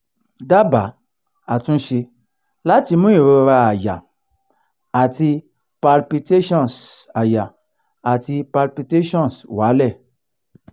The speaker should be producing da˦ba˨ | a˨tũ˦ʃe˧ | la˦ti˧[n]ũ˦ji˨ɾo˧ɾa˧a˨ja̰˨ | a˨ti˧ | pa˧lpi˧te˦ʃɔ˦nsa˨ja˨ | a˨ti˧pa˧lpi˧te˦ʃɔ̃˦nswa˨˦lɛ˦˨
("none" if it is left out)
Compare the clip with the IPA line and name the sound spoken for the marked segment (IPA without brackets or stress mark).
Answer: m